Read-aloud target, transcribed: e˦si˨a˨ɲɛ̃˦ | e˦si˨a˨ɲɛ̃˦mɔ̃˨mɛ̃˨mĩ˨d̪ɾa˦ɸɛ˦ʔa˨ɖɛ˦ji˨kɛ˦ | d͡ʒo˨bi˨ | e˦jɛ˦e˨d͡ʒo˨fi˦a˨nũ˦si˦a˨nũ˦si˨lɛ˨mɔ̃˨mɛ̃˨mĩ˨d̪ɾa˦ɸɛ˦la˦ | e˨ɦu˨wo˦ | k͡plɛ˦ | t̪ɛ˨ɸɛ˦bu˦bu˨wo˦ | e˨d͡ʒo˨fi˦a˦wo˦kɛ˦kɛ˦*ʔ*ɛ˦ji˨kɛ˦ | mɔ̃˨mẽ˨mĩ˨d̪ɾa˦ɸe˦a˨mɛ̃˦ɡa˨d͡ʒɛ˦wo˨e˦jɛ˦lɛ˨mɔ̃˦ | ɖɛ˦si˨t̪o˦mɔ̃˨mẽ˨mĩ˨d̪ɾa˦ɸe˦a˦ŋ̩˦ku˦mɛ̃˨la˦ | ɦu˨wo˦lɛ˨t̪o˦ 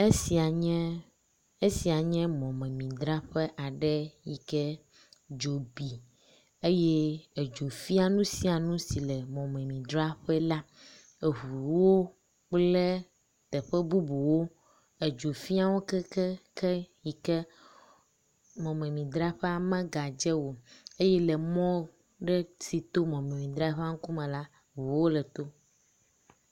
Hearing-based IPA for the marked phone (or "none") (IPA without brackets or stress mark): k